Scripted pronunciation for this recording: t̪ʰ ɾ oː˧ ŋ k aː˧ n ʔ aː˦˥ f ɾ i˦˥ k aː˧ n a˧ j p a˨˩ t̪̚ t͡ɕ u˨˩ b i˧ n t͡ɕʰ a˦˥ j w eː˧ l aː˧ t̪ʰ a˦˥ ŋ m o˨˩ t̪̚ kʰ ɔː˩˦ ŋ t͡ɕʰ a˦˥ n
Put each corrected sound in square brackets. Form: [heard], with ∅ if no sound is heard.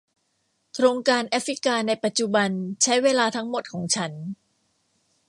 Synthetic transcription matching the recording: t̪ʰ ɾ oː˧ ŋ k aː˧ n ʔ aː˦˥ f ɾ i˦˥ k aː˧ n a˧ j p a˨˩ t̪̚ t͡ɕ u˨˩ b [a˧] n t͡ɕʰ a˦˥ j w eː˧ l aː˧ t̪ʰ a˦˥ ŋ m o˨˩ t̪̚ kʰ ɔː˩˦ ŋ t͡ɕʰ a˦˥ n